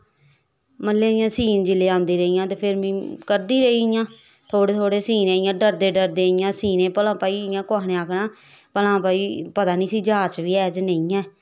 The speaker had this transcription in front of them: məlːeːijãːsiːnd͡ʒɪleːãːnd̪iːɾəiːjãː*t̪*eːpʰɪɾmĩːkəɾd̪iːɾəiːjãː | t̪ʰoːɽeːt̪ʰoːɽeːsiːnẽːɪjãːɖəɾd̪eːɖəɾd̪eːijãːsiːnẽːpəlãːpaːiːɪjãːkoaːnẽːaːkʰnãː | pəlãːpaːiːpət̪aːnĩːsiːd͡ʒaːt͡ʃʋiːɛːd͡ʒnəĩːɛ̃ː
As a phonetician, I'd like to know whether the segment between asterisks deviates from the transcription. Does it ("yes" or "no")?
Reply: no